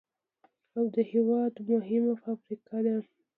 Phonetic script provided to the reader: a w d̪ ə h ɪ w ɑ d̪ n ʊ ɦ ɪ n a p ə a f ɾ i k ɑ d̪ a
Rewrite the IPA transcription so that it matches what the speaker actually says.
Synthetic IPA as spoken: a w d̪ ə h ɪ w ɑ d̪ m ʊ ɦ ɪ m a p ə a f ɾ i k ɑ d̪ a